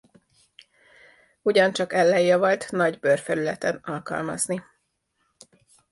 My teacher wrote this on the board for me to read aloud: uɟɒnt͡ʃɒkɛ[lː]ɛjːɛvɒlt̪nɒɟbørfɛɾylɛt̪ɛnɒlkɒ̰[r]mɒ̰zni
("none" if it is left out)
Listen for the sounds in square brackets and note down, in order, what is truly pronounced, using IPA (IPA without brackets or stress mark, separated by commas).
lː, l